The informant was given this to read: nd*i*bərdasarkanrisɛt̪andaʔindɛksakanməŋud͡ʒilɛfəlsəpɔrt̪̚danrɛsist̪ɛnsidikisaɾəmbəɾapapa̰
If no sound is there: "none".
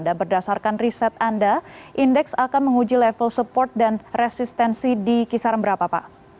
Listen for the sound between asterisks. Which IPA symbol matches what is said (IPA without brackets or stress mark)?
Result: a